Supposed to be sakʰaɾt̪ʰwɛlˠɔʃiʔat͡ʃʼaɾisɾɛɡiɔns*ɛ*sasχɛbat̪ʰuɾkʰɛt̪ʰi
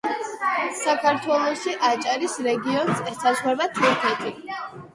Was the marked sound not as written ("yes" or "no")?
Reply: no